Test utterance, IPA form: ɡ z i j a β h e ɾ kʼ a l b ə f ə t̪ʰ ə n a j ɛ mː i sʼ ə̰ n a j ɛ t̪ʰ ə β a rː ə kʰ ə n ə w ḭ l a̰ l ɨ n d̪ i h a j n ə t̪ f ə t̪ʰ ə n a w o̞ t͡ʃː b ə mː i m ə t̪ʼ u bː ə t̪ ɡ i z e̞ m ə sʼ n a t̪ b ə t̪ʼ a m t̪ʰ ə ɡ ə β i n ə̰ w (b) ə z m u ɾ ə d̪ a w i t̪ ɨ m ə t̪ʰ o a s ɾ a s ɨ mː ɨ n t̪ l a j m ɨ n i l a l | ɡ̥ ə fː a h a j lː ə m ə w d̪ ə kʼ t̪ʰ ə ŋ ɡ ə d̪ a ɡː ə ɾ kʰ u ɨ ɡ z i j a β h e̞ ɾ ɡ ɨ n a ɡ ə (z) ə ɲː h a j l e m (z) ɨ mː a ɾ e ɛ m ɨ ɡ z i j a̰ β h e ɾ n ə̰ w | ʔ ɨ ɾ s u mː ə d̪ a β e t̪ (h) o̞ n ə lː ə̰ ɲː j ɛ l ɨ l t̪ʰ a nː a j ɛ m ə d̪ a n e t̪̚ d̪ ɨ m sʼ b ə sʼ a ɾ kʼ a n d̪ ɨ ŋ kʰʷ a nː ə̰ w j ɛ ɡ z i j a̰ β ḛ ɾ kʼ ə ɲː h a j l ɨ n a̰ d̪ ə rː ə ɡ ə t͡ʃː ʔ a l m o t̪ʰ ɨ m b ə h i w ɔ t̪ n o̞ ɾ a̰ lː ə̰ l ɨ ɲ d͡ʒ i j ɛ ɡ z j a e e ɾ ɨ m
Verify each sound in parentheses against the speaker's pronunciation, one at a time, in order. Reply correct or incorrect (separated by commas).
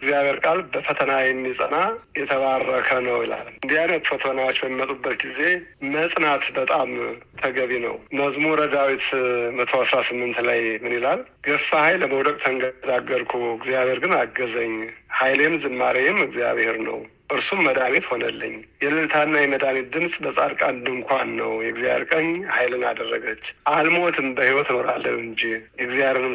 incorrect, correct, correct, correct